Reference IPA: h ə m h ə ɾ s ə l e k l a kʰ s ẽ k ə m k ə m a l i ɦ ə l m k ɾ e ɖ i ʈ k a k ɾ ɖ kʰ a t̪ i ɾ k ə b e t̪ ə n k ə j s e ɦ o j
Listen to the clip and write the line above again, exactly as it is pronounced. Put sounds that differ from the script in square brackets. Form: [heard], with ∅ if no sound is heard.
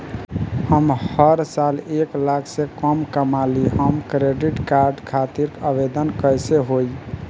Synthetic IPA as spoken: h ə m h ə ɾ s [a] l e k l a kʰ s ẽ k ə m k ə m a l i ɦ ə [∅] m k ɾ e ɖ i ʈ k a [∅] ɾ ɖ kʰ a t̪ i ɾ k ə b e [d̪] ə n k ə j s e ɦ o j